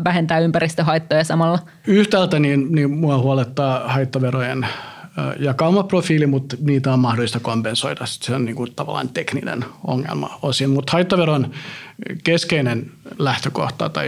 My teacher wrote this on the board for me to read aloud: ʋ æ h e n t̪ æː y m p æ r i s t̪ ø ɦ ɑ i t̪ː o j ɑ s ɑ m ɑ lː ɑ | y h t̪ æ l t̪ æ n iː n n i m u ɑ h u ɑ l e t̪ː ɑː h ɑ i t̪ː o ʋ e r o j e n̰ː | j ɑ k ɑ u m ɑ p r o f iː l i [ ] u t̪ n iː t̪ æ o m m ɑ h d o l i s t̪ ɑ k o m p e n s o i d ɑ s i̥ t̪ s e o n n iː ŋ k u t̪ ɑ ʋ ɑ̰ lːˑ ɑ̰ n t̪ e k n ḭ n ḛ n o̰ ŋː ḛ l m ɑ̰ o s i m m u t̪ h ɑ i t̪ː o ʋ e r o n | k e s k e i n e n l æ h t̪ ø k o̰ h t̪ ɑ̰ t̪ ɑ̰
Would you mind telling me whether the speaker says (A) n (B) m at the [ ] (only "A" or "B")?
B